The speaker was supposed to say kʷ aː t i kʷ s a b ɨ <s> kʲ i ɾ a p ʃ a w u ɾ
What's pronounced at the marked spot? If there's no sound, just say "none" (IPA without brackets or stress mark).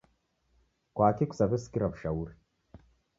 s